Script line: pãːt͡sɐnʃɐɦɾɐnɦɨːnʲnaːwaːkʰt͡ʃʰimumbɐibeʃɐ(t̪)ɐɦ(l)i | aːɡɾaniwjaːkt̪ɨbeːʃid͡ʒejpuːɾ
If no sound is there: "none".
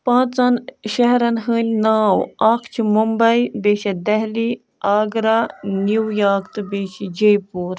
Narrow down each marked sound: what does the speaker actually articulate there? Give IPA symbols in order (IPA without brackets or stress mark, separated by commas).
d̪, l